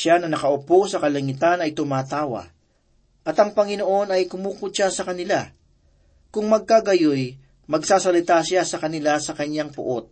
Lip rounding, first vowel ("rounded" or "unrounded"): unrounded